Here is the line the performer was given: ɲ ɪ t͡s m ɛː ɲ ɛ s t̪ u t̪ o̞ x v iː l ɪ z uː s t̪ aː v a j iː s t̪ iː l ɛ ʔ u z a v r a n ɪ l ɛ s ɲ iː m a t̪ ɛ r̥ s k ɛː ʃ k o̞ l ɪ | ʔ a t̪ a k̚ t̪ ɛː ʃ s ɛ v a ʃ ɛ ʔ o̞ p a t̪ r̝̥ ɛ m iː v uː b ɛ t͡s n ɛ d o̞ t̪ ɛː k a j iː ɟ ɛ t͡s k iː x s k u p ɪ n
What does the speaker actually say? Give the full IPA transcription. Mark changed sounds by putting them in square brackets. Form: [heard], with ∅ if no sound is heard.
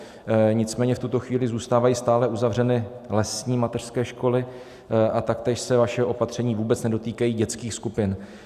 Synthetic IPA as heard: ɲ ɪ t͡s m ɛː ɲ ɛ [f] t̪ u t̪ o̞ x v iː l ɪ z uː s t̪ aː v a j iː s t̪ [aː] l ɛ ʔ u z a v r [ɛ] n ɪ l ɛ s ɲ iː m a t̪ ɛ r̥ s k ɛː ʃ k o̞ l ɪ | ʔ a t̪ a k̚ t̪ ɛː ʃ s ɛ v a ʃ ɛ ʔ o̞ p a t̪ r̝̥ ɛ [ɲ] iː v uː b ɛ t͡s n ɛ d o̞ t̪ [iː] k a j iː ɟ ɛ t͡s k iː x s k u p ɪ n